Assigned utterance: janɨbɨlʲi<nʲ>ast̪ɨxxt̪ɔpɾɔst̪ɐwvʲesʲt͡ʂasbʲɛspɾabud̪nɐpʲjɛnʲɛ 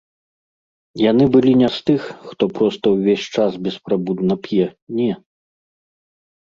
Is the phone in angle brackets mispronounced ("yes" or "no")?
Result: no